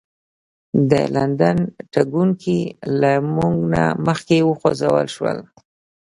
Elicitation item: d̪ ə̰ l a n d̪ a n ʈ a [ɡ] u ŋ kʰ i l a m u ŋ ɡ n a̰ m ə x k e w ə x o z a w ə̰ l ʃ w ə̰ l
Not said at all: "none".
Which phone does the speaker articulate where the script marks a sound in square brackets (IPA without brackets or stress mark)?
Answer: ɡ